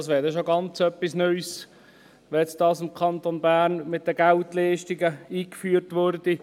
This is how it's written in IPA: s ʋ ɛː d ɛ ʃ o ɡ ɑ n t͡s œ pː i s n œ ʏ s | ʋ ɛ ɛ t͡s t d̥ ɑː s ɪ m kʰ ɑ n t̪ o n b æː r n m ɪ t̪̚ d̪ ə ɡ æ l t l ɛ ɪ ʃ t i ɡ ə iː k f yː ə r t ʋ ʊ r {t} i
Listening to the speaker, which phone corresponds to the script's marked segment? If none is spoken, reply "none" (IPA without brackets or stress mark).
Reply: d